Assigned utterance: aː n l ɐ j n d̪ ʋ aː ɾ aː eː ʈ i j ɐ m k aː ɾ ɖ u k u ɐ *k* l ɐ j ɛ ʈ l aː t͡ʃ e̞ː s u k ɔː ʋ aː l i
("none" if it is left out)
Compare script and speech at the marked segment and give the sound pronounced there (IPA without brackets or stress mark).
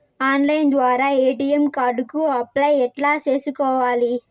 p